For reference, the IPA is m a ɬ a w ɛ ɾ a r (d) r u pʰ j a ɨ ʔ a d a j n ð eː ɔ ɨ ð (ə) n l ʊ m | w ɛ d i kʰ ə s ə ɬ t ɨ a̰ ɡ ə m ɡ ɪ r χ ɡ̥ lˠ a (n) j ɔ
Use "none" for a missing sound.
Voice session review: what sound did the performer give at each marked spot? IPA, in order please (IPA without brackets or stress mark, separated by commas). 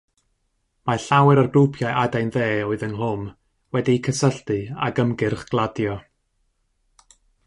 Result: ɡ, ə, d